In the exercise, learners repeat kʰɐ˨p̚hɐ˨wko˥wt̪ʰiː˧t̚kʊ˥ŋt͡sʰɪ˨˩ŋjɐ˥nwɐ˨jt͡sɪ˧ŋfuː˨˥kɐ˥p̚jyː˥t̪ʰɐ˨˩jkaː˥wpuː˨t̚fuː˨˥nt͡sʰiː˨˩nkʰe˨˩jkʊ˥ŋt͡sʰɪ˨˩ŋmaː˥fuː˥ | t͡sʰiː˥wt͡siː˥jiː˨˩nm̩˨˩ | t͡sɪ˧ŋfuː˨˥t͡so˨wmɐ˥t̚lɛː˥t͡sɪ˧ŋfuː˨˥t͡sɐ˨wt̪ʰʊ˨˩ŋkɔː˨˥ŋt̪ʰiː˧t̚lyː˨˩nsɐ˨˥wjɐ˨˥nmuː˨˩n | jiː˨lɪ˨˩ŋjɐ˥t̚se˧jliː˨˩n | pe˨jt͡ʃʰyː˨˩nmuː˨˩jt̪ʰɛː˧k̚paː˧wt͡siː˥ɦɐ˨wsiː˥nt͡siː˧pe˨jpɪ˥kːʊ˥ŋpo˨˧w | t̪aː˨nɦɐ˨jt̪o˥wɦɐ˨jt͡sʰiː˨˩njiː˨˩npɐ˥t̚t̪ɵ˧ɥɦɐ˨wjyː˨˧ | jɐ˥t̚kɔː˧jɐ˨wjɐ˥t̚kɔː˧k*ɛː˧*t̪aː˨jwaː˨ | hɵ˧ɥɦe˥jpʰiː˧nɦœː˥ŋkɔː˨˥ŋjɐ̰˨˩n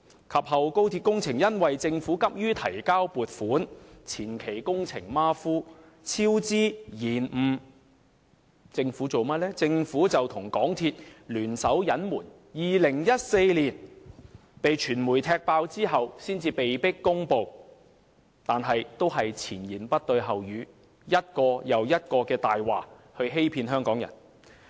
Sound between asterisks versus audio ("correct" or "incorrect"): correct